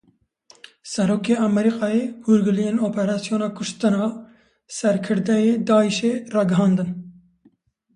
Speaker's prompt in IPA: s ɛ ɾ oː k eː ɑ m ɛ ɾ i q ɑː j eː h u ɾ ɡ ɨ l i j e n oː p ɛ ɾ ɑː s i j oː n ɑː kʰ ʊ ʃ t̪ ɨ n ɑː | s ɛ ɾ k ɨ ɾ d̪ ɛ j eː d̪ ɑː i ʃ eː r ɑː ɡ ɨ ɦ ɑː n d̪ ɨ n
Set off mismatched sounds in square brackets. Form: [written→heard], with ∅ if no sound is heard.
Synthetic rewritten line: s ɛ ɾ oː k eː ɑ m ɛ ɾ i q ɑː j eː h u ɾ ɡ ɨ l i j e n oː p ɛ ɾ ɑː s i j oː n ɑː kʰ ʊ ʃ t̪ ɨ n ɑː | s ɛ ɾ [k→kʰ] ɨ ɾ d̪ ɛ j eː d̪ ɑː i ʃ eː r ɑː ɡ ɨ ɦ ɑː n d̪ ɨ n